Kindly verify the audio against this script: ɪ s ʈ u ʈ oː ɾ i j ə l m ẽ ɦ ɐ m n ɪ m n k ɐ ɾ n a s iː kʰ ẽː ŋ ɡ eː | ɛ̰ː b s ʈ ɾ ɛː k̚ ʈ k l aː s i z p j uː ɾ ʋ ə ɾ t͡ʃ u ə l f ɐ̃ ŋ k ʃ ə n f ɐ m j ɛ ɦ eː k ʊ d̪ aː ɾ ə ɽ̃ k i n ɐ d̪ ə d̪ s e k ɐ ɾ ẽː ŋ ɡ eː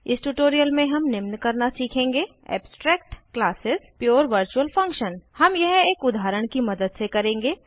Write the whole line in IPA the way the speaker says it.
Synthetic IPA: ɪ s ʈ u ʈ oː ɾ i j ə l m ẽ ɦ ɐ m n ɪ m n k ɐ ɾ n a s iː kʰ ẽː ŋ ɡ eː | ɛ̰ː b s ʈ ɾ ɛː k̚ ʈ k l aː s ɪ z p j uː ɾ ʋ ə ɾ t͡ʃ u ə l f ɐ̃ ŋ k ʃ ə n h ɐ m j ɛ ɦ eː k ʊ d̪ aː ɾ ə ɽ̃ k i m ɐ d̪ ə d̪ s e k ɐ ɾ ẽː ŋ ɡ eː